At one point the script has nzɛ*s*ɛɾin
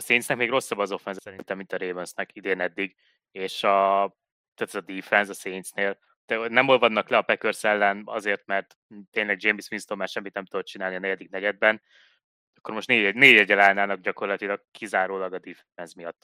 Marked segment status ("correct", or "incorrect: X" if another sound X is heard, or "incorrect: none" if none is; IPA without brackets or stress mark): correct